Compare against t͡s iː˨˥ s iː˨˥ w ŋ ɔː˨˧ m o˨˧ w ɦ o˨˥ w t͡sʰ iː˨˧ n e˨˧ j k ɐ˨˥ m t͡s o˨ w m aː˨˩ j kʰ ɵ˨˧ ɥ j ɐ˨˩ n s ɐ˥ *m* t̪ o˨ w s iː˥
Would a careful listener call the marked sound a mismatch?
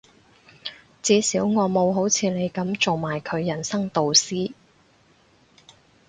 yes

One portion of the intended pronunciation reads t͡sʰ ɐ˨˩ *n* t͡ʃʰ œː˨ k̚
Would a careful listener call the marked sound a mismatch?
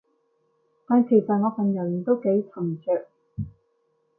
yes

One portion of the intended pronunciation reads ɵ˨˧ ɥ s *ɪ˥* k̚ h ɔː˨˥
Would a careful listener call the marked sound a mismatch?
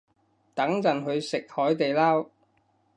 yes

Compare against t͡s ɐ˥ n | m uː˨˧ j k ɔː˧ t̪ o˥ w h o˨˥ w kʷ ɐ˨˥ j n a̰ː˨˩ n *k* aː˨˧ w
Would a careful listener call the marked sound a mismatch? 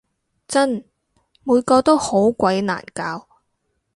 no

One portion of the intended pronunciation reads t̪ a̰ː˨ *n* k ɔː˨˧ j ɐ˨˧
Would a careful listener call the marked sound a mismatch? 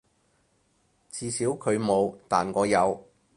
no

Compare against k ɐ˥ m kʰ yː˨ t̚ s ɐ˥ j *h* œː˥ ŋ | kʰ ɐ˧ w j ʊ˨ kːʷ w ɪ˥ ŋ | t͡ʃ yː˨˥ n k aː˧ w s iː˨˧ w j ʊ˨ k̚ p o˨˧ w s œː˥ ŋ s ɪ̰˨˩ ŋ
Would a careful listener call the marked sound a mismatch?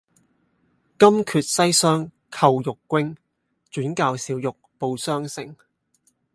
yes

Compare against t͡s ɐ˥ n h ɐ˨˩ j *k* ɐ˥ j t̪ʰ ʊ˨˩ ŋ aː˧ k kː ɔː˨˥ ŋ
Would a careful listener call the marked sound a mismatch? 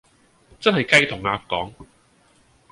no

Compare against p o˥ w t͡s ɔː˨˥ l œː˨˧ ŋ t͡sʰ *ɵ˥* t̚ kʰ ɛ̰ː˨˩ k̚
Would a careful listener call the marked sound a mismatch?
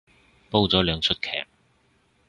no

